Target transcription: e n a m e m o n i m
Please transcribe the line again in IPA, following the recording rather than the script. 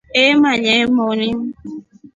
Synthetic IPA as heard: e m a ɲ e m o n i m